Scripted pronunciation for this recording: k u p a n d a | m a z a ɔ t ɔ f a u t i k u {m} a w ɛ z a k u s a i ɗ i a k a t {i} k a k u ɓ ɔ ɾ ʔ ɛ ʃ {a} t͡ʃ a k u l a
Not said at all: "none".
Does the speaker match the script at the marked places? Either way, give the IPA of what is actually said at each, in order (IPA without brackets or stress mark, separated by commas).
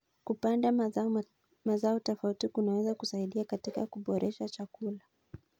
n, i, a